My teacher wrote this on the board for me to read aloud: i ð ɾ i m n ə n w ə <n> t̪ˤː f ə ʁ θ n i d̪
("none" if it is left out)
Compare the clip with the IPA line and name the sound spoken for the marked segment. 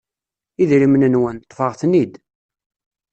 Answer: n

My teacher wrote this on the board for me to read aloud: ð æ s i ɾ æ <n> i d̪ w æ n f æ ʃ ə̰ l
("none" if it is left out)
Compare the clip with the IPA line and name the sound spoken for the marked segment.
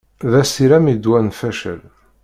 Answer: m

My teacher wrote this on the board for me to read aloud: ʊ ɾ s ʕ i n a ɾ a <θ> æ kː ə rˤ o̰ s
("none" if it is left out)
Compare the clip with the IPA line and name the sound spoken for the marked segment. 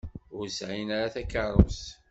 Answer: θ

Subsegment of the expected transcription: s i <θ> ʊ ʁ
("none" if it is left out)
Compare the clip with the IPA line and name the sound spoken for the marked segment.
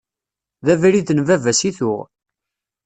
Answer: θ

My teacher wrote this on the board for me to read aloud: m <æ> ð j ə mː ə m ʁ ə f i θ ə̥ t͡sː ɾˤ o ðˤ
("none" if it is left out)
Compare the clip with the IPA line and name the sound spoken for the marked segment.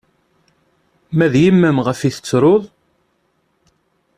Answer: æ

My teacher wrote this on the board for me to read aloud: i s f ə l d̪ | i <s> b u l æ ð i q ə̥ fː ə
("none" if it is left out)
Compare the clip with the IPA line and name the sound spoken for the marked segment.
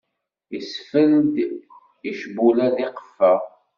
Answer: ʃ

